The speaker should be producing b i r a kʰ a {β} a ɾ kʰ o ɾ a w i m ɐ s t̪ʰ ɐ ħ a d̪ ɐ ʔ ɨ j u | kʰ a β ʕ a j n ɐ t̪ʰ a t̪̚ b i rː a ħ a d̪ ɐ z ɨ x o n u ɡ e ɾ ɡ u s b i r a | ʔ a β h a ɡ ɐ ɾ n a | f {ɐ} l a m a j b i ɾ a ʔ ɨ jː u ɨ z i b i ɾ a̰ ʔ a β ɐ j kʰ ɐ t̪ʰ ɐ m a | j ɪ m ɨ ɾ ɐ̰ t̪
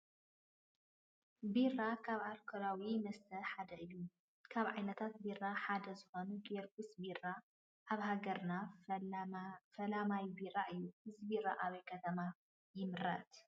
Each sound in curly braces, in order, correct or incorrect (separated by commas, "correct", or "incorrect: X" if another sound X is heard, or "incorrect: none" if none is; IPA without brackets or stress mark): correct, correct